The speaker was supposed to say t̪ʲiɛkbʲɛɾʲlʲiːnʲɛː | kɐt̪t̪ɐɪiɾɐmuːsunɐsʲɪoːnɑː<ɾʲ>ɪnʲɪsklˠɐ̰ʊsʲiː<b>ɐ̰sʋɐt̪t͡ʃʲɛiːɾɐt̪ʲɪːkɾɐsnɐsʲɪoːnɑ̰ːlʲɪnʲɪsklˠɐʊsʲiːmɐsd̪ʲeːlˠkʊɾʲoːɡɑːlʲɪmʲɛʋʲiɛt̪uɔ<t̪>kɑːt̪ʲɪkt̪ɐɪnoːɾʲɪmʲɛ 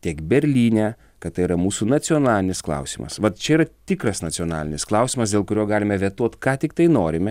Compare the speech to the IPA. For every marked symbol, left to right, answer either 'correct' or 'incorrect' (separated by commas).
incorrect, incorrect, correct